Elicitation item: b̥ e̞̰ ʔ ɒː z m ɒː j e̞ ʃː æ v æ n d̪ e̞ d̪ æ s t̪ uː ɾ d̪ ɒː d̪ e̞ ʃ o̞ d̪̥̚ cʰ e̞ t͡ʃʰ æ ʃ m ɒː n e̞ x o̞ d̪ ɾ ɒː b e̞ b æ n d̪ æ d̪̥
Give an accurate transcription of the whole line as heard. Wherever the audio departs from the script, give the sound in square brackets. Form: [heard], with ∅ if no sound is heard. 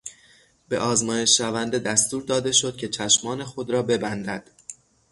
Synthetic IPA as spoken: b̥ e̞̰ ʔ ɒː z m ɒː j e̞ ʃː æ v æ n d̪ e̞ d̪ æ s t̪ uː ɾ d̪ ɒː d̪ e̞ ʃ o̞ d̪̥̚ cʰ e̞ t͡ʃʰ æ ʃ m ɒː n e̞ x o̞ d̪ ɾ ɒː b e̞ b æ n d̪ æ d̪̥

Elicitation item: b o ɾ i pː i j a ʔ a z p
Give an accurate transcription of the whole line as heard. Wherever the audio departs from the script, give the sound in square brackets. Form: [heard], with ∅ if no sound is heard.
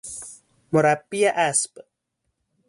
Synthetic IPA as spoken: [m] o ɾ [a] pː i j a ʔ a [s] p

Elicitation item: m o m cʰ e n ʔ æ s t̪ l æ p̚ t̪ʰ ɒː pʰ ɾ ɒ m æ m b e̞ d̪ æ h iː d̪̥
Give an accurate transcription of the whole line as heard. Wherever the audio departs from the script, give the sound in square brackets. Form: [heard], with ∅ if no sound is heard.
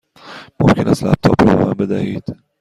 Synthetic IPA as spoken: m o m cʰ e n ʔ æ s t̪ l æ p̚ t̪ʰ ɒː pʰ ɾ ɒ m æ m b e̞ d̪ æ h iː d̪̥

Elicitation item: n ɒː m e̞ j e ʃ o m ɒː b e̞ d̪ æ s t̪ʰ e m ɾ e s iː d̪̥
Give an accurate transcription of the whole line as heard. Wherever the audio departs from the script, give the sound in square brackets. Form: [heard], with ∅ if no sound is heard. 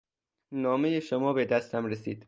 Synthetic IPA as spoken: n ɒː m e̞ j e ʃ o m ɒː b e̞ d̪ æ s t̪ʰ [æ] m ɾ e s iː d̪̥

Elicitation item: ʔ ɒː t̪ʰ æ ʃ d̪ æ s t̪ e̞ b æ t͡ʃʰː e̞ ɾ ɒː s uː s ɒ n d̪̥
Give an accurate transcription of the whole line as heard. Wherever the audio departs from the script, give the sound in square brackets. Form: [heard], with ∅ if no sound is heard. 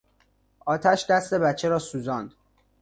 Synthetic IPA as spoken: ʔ ɒː t̪ʰ æ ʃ d̪ æ s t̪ e̞ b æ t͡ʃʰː e̞ ɾ ɒː s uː [z] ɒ n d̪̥

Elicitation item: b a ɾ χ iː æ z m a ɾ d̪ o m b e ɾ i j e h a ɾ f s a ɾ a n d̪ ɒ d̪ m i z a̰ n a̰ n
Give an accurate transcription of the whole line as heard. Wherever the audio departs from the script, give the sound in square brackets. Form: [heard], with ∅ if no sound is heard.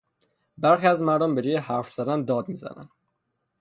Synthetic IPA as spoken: b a ɾ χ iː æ z m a ɾ d̪ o m b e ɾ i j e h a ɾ f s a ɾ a n d̪ ɒ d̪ m i z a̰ n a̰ n

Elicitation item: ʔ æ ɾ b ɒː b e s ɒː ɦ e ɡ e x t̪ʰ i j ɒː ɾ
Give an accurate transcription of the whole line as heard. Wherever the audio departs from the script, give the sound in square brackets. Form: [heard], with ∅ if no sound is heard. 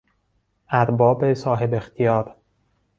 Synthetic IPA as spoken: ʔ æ ɾ b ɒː b e s ɒː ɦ e [b] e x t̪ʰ i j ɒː ɾ

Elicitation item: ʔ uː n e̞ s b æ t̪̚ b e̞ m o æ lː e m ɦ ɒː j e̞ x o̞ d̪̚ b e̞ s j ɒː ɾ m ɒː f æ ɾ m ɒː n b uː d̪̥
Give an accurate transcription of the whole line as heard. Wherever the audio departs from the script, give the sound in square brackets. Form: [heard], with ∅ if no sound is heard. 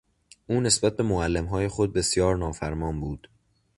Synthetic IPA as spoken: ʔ uː n e̞ s b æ t̪̚ b e̞ m o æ lː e m ɦ ɒː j e̞ x o̞ d̪̚ b e̞ s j ɒː ɾ [n] ɒː f æ ɾ m ɒː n b uː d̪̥

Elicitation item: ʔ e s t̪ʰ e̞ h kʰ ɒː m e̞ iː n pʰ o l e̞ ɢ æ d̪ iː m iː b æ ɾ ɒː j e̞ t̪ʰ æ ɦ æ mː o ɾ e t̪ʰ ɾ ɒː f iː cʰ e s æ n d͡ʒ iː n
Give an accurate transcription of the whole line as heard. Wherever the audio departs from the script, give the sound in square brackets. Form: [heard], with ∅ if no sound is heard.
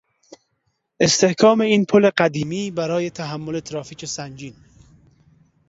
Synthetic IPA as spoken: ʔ e s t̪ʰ e̞ h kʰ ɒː m e̞ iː n pʰ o l e̞ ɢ æ d̪ iː m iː b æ ɾ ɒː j e̞ t̪ʰ æ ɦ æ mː o [l] e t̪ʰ ɾ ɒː f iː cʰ e s æ n d͡ʒ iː n

